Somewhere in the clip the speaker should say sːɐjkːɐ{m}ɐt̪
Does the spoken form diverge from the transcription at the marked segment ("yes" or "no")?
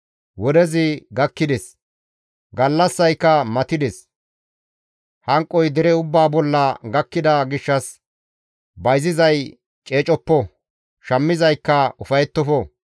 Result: no